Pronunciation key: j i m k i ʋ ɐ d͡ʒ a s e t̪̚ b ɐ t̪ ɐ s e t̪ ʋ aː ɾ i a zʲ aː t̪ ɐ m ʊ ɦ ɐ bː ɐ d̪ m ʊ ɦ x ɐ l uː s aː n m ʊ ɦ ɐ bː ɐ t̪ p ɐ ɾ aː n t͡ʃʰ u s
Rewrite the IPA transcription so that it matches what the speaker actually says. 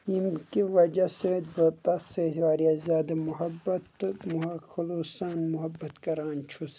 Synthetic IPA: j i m k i ʋ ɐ d͡ʒ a s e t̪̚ b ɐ t̪ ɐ s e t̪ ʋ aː ɾ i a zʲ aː d̪ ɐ m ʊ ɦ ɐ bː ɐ t̪ m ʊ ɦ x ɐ l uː s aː n m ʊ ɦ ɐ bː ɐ t̪ k ɐ ɾ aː n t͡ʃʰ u s

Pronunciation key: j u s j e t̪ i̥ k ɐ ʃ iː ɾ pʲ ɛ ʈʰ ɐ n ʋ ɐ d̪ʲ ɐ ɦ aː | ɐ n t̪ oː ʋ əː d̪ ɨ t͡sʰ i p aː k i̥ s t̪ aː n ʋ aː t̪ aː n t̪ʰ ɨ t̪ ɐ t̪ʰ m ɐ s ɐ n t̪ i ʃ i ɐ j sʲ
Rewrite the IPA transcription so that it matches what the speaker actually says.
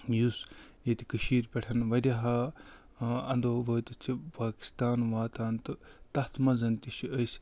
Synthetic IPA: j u s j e t̪ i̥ k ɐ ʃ iː ɾ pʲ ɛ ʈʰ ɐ n ʋ ɐ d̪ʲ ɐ ɦ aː | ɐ n d̪ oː ʋ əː t̪ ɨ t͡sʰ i p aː k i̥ s t̪ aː n ʋ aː t̪ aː n t̪ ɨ t̪ ɐ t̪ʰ m ɐ z ɐ n t̪ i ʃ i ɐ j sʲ

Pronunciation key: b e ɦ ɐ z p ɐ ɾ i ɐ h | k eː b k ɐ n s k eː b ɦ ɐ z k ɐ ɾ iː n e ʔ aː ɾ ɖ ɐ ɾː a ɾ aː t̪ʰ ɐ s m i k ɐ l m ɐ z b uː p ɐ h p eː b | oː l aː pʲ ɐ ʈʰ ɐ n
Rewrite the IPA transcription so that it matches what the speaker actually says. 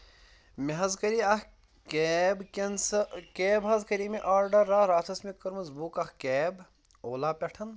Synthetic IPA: m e ɦ ɐ z k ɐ ɾ i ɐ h | k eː b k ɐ n s k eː b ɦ ɐ z k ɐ ɾ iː m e ʔ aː ɾ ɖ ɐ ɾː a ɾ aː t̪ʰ ɐ s m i k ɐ ɾ m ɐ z b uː k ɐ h k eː b | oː l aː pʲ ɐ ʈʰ ɐ n

